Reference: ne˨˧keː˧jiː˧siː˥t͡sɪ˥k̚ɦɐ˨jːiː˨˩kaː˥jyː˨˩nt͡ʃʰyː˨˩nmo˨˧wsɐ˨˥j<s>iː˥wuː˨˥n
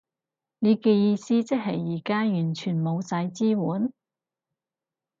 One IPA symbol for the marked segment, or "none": t͡s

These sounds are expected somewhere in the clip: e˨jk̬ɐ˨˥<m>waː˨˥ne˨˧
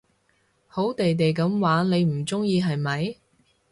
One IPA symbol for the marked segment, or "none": m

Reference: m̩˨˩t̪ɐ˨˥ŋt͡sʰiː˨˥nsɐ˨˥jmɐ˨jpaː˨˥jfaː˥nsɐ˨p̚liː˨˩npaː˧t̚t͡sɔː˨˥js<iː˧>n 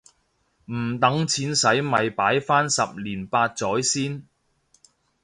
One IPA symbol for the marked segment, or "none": iː˥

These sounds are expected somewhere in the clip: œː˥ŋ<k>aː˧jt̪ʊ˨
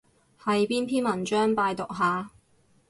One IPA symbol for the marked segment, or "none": p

